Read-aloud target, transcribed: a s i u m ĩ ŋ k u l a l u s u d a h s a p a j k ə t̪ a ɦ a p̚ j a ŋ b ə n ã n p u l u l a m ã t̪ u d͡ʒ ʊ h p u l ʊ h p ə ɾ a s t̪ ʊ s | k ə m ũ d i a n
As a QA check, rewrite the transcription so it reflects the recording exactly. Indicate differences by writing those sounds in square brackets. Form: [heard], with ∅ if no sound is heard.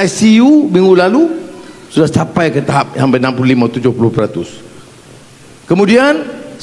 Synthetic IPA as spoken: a s i u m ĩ ŋ [ɡ] u l a l u s u d a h s a p a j k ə t̪ a ɦ a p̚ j a ŋ b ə n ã [m] p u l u l [i] m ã t̪ u d͡ʒ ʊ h p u l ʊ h p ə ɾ a [∅] t̪ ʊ s | k ə m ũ d i a n